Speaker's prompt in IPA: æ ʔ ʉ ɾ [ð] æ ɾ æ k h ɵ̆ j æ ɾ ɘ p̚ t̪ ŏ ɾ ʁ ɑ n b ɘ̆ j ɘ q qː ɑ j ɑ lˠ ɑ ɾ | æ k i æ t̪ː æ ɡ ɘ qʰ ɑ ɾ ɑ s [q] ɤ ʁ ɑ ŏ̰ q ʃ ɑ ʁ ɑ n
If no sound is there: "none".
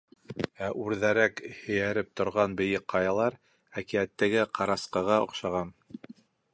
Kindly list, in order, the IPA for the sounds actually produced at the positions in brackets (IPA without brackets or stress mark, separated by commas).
ð, q